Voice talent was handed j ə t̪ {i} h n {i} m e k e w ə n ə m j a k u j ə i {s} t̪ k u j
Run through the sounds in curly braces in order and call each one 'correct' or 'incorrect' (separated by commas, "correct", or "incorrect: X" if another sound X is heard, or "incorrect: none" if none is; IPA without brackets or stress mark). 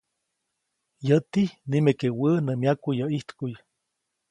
correct, correct, incorrect: h